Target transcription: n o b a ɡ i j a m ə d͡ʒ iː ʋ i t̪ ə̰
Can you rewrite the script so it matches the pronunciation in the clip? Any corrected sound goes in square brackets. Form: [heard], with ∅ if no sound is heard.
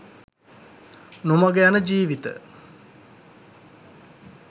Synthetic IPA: n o [m] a ɡ [e] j a [n] ə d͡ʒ iː ʋ i t̪ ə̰